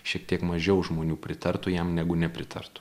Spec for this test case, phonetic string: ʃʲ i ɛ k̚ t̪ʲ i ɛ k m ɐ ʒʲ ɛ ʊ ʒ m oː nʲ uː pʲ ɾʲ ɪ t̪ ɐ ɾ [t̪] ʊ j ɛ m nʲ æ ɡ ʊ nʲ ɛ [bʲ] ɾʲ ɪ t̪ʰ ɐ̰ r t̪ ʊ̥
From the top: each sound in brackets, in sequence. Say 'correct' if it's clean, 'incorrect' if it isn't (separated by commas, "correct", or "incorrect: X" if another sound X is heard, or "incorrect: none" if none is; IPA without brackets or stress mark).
correct, incorrect: pʲ